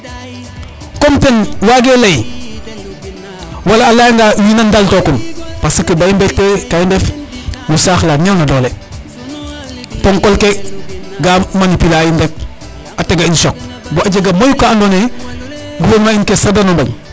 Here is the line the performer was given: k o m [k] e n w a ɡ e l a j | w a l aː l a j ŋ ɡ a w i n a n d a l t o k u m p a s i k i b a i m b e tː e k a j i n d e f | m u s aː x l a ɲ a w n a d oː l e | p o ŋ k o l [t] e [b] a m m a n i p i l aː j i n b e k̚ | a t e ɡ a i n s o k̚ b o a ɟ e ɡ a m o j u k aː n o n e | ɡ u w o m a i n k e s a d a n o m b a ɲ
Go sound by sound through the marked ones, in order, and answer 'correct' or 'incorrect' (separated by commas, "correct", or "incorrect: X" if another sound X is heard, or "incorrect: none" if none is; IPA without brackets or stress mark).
incorrect: t, incorrect: k, incorrect: ɡ